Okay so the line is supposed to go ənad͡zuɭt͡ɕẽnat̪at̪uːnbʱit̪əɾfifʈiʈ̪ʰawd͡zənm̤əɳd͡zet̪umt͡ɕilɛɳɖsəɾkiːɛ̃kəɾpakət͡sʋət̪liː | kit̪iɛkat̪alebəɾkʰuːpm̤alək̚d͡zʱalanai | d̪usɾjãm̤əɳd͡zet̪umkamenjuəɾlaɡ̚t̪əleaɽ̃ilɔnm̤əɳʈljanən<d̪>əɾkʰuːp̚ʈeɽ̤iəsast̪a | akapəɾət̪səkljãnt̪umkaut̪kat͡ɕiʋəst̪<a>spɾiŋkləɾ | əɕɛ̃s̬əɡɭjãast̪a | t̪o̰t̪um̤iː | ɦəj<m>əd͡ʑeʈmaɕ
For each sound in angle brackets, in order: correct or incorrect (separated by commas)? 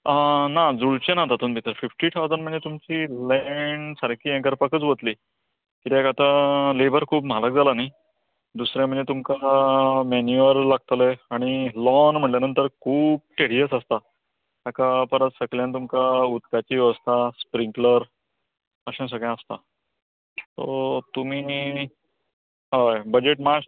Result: incorrect, correct, incorrect